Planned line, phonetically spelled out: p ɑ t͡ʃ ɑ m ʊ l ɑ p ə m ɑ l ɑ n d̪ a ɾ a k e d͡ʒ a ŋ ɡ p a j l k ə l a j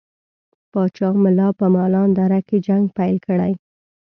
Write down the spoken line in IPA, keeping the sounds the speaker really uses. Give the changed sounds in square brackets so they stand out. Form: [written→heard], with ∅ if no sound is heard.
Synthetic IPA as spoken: p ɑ t͡ʃ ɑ m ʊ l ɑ p ə m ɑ l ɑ n d̪ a ɾ a k e d͡ʒ a ŋ ɡ p a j l k ə [l→ɽ] a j